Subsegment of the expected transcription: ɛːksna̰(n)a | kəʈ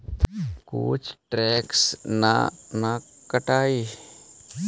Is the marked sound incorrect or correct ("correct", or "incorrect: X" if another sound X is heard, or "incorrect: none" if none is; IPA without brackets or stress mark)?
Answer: correct